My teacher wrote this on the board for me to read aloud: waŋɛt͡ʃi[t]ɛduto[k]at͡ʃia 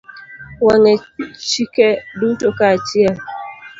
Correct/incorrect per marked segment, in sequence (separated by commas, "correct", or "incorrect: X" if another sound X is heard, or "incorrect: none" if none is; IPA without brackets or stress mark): incorrect: k, correct